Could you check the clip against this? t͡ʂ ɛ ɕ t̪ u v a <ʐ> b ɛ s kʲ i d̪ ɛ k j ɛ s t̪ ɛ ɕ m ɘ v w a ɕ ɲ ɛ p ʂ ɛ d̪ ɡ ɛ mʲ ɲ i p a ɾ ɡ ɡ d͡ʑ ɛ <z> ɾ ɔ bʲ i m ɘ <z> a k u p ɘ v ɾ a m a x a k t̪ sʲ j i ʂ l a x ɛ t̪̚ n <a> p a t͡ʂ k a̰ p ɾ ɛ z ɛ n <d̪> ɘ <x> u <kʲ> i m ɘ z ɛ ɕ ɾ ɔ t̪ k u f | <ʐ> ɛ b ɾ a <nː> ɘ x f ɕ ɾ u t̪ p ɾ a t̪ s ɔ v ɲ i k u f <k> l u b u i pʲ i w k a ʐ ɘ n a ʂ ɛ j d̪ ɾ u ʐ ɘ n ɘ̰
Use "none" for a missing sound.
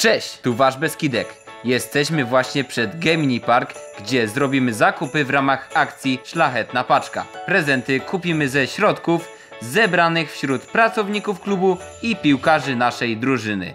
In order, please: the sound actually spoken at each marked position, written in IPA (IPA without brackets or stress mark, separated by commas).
ʐ, z, z, a, t̪, k, pʲ, z, n, k